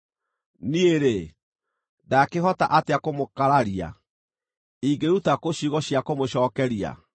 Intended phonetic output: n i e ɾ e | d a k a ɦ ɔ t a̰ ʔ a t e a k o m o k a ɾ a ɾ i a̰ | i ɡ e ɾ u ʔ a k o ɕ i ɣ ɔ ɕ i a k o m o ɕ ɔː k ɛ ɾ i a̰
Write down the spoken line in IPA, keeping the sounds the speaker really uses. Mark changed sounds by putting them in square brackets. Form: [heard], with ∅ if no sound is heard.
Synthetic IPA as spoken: n i e ɾ e | d a k [e] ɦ ɔ t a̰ ʔ a t e a k o m o k a ɾ a ɾ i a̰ | i ɡ e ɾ u [t] a k o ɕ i ɣ ɔ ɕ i a k o m o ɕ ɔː k ɛ ɾ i a̰